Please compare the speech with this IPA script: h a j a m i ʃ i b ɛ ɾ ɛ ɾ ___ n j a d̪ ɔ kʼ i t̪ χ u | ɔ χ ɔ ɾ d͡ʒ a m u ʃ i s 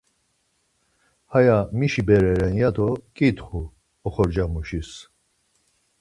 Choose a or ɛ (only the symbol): ɛ